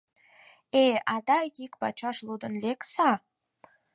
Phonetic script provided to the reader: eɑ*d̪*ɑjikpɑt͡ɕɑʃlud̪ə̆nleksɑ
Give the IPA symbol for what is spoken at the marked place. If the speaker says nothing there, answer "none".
d̪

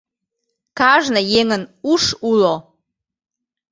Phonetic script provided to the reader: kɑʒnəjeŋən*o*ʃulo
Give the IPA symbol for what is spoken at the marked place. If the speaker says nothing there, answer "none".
u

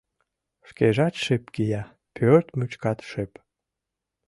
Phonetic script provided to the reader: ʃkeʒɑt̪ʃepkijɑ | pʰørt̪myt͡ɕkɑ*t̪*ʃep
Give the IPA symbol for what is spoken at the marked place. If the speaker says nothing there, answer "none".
t̪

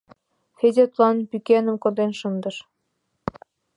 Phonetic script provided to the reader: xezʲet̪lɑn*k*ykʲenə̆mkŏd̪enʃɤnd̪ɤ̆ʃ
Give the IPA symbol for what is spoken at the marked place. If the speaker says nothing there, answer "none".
p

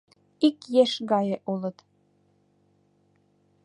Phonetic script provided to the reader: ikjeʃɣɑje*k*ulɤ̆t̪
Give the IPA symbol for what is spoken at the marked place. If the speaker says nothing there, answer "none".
ʔ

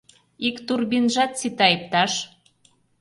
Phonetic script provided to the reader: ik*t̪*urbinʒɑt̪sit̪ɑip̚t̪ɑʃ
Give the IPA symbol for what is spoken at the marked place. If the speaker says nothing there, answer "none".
t̪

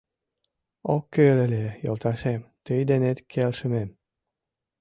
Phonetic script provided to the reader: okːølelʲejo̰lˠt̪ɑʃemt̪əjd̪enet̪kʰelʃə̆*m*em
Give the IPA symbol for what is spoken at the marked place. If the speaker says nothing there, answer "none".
m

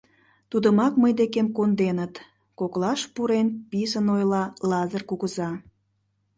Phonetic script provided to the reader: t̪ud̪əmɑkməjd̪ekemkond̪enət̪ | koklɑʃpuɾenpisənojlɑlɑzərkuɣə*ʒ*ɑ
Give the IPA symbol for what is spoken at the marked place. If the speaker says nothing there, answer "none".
z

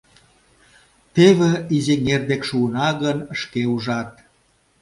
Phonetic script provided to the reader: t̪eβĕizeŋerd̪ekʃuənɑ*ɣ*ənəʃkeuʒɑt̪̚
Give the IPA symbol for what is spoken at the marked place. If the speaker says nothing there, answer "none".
ɣ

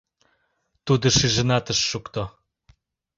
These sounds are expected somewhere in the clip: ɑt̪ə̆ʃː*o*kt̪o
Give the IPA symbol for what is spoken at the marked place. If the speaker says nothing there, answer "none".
u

